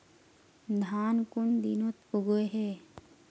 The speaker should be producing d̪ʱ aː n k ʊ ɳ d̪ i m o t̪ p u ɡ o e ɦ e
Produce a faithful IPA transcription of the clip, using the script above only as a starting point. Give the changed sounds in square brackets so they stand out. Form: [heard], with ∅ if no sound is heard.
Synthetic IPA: d̪ʱ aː n k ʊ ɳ d̪ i [n] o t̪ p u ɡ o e ɦ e